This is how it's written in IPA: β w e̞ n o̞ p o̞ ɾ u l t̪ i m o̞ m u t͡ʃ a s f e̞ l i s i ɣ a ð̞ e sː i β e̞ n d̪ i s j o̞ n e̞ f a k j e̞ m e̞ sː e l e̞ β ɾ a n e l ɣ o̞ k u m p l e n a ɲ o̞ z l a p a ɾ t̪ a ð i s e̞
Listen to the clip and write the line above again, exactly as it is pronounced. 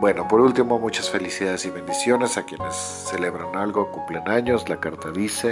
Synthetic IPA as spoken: b w e̞ n o̞ p o̞ ɾ u l t̪ i m o̞ m u t͡ʃ a s f e̞ l i s i ð a ð̞ e s i β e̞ n d̪ i s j o̞ n e̞ s a k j e̞ n e̞ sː e l e̞ β ɾ a n a l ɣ o̞ k u m p l e n a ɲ o̞ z l a k a ɾ t̪ a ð i s e̞